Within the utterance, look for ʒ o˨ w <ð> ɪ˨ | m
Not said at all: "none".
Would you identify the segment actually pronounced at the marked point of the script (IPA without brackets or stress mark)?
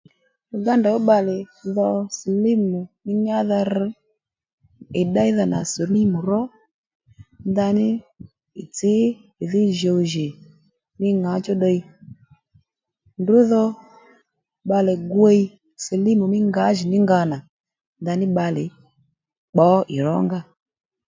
ʒ